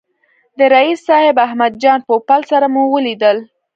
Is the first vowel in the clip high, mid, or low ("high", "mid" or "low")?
mid